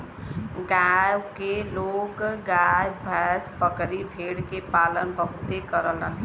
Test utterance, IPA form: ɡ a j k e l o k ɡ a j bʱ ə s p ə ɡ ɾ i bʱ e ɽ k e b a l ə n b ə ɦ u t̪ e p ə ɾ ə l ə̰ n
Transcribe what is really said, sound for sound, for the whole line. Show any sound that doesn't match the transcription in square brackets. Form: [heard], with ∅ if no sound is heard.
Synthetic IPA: ɡ a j k e l o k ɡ a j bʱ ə s p ə [k] ɾ i bʱ e ɽ k e [p] a l ə n b ə ɦ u t̪ e [k] ə ɾ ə l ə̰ n